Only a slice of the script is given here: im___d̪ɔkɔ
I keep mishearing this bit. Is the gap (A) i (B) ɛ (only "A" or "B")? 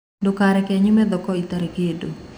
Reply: B